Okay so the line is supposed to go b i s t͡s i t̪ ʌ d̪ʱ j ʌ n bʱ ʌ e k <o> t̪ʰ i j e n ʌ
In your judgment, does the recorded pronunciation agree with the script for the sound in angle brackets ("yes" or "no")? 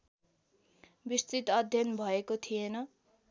yes